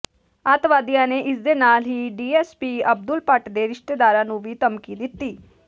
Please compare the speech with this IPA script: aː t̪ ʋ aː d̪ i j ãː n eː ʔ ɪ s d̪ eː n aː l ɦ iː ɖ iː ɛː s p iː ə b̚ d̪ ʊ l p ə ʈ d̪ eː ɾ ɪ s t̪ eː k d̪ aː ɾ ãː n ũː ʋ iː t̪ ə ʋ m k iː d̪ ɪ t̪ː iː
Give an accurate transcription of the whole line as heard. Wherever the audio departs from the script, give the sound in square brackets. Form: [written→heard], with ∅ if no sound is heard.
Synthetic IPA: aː t̪ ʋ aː d̪ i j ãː n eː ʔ ɪ s d̪ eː n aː l ɦ iː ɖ iː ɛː s p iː ə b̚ d̪ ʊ l p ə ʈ d̪ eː ɾ ɪ [s→ʃ] t̪ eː [k→∅] d̪ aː ɾ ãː n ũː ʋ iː t̪ ə [ʋ→∅] m k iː d̪ ɪ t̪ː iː